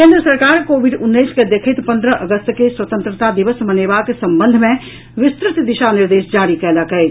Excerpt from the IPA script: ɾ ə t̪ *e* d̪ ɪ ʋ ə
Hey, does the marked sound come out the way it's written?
no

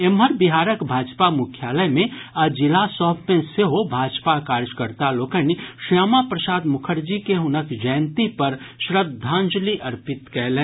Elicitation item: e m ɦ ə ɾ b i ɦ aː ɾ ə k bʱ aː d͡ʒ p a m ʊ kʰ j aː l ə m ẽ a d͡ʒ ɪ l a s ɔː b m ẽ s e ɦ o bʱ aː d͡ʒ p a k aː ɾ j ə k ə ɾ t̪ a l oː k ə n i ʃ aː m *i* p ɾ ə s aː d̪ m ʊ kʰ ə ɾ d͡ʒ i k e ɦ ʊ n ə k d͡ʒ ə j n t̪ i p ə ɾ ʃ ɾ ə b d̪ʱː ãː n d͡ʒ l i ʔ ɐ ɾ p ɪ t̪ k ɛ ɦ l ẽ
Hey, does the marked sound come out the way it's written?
no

